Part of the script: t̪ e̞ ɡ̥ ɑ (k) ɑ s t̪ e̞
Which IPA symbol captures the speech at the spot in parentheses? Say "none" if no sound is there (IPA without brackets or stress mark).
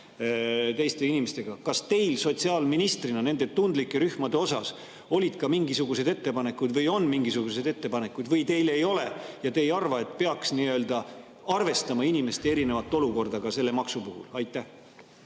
k